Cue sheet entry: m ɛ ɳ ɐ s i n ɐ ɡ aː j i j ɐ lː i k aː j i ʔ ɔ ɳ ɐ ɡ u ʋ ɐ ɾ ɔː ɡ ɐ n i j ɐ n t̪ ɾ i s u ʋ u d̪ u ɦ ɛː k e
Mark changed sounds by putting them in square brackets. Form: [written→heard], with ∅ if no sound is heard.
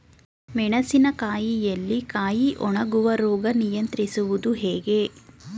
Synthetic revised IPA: m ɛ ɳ ɐ s i n ɐ [ɡ→k] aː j i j ɐ lː i k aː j i ʔ ɔ ɳ ɐ ɡ u ʋ ɐ ɾ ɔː ɡ ɐ n i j ɐ n t̪ ɾ i s u ʋ u d̪ u ɦ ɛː [k→ɡ] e